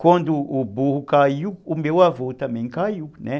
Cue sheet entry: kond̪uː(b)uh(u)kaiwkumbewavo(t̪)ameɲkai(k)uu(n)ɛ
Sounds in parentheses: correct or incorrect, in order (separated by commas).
correct, correct, correct, incorrect, correct